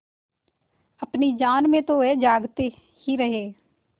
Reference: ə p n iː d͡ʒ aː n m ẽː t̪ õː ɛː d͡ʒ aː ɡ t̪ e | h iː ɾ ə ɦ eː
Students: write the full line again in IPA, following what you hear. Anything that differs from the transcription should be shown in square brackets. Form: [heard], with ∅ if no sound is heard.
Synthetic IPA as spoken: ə p n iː d͡ʒ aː n m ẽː t̪ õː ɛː d͡ʒ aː ɡ t̪ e | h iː ɾ ə ɦ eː